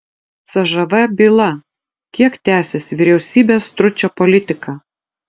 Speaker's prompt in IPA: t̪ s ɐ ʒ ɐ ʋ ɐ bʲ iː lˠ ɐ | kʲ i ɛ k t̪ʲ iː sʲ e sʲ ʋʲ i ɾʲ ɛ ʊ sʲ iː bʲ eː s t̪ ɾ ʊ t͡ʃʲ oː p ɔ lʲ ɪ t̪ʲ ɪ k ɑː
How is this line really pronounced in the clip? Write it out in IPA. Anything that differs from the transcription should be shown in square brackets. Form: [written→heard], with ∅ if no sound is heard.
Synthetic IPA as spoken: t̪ s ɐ ʒ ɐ ʋ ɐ bʲ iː lˠ ɐ | kʲ i ɛ k t̪ʲ [iː→æː] sʲ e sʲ ʋʲ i ɾʲ ɛ ʊ sʲ iː bʲ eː s t̪ ɾ ʊ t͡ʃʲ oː p ɔ lʲ ɪ t̪ʲ ɪ k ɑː